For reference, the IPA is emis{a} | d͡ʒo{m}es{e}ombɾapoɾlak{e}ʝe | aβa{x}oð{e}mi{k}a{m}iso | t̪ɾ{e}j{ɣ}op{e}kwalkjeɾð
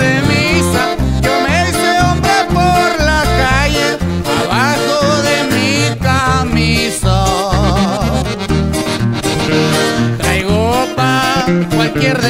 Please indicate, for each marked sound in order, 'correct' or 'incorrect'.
correct, correct, correct, incorrect: a, correct, correct, correct, correct, incorrect: a, correct, incorrect: a

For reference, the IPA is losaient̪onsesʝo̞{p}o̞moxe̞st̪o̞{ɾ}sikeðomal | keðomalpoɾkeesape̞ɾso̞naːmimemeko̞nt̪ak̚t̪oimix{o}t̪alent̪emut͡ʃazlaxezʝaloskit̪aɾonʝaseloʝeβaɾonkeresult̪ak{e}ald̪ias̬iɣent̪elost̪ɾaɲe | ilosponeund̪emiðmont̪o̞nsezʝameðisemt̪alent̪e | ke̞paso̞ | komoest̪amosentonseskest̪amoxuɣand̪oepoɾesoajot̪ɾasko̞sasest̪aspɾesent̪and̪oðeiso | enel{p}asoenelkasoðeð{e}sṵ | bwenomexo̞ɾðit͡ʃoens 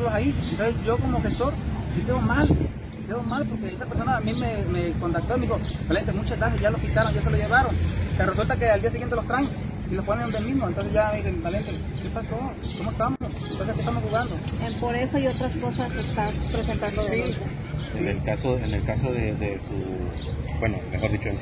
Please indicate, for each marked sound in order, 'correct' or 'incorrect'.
incorrect: k, correct, correct, correct, incorrect: k, correct

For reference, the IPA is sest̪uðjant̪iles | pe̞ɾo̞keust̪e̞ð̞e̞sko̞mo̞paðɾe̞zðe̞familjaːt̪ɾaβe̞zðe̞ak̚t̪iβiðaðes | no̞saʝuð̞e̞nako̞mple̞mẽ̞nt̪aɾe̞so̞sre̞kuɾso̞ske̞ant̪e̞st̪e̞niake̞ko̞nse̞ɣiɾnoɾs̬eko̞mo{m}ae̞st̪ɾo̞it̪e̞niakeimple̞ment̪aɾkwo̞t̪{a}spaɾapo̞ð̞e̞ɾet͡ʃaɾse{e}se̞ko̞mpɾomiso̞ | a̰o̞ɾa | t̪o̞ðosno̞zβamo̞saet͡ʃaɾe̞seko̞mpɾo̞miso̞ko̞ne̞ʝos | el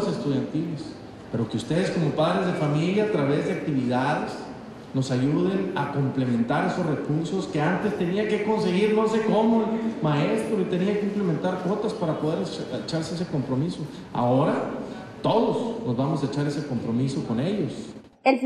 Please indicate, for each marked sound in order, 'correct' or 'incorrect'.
correct, correct, correct

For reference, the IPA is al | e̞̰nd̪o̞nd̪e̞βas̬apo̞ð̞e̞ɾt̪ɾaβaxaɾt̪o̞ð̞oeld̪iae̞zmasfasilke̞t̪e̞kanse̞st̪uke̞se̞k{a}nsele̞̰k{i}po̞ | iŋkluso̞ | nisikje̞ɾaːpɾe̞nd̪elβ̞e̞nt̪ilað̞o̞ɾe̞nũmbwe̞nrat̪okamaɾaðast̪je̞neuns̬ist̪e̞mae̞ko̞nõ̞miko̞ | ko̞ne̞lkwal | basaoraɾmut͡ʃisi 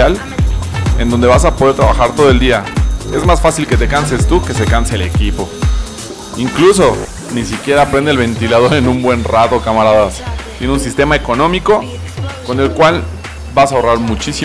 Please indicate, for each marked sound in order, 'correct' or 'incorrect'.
correct, correct

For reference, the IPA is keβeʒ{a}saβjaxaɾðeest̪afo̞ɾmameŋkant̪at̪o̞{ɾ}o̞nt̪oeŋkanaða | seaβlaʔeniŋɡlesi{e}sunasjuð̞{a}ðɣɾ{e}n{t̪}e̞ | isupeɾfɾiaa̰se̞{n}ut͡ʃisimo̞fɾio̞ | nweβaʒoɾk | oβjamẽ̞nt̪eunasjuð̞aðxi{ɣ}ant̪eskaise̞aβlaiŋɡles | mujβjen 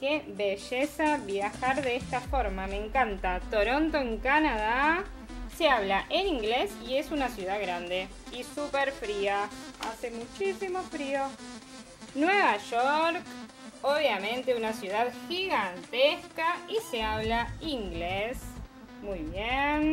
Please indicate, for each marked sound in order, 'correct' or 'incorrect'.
incorrect: e, correct, correct, correct, incorrect: a, incorrect: d̪, incorrect: m, correct

